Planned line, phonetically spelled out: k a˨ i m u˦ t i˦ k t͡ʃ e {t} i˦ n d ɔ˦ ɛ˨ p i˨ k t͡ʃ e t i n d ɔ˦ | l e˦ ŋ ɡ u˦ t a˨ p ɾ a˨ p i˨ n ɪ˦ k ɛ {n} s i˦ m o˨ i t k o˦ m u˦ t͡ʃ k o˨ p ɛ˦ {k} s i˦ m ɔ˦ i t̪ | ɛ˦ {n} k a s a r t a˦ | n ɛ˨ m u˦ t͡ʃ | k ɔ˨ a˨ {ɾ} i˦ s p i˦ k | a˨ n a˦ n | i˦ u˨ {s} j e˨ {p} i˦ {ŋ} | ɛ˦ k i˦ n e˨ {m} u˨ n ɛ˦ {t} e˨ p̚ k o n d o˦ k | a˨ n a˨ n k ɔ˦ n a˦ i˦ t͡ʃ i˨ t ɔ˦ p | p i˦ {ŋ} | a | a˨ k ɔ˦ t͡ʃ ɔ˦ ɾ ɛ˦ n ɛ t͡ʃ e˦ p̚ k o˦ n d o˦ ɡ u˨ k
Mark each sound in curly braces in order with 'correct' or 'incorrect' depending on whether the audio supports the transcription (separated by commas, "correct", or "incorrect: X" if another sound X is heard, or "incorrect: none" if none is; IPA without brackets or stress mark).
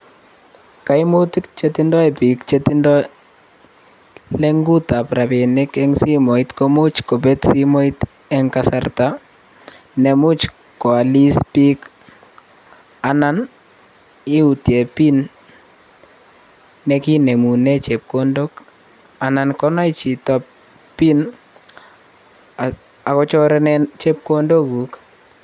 correct, incorrect: ŋ, incorrect: t, incorrect: ŋ, incorrect: l, incorrect: t, correct, incorrect: n, correct, incorrect: t͡ʃ, incorrect: n